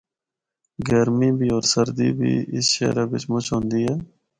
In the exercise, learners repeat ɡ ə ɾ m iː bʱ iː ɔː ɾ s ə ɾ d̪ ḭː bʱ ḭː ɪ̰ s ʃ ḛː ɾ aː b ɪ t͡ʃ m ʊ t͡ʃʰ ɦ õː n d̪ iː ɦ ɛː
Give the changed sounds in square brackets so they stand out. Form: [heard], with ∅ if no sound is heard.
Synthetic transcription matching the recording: ɡ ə ɾ m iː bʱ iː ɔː ɾ s ə ɾ d̪ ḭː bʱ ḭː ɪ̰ s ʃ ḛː ɾ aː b ɪ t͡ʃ m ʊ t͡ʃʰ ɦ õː n d̪ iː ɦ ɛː